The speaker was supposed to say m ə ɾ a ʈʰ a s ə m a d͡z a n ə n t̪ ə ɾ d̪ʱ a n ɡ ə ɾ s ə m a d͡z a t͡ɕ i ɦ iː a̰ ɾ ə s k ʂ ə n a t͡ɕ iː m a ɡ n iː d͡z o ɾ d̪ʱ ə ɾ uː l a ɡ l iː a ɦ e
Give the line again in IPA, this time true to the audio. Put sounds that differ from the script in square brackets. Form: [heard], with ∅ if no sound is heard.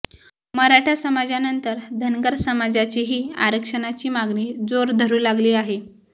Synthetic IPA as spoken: m ə ɾ a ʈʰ a s ə m a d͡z a n ə n t̪ ə ɾ d̪ʱ [ə] n ɡ ə ɾ s ə m a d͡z a t͡ɕ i ɦ iː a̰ ɾ ə [∅] k ʂ ə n a t͡ɕ iː m a ɡ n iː d͡z o ɾ d̪ʱ ə ɾ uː l a ɡ l iː a ɦ e